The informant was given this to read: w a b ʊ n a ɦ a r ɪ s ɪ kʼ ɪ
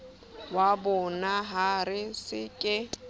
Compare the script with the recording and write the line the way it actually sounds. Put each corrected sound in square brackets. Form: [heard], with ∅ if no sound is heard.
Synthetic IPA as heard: w a b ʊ n a ɦ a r ɪ s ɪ kʼ ɪ